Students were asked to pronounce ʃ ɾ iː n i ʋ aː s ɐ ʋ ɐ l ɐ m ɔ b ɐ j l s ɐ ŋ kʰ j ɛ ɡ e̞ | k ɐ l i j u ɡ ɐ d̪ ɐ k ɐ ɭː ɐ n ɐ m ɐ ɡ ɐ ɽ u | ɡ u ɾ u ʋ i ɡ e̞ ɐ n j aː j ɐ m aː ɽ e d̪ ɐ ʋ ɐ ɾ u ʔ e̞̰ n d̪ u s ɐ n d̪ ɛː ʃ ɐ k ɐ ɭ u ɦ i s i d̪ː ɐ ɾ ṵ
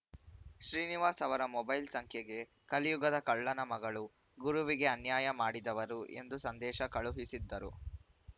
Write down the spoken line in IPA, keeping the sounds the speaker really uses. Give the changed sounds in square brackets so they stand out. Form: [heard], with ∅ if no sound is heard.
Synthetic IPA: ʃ ɾ iː n i ʋ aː s ɐ ʋ ɐ [ɾ] ɐ m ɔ b ɐ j l s ɐ ŋ kʰ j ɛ ɡ e̞ | k ɐ l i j u ɡ ɐ d̪ ɐ k ɐ ɭː ɐ n ɐ m ɐ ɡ ɐ [ɭ] u | ɡ u ɾ u ʋ i ɡ e̞ ɐ n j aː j ɐ m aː ɽ [i] d̪ ɐ ʋ ɐ ɾ u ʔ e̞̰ n d̪ u s ɐ n d̪ ɛː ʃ ɐ k ɐ ɭ u ɦ i s i d̪ː ɐ ɾ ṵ